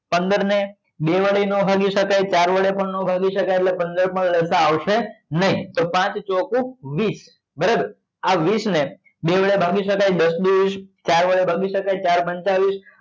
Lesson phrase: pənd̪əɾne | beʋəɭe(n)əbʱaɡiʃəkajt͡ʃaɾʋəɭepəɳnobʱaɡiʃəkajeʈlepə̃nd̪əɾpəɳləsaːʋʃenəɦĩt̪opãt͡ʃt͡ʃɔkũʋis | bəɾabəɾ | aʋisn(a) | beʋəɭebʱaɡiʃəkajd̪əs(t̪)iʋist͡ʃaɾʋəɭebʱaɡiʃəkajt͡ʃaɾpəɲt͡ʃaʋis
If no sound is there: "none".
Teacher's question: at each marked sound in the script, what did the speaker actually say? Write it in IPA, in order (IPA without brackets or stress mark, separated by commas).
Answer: n, e, d̪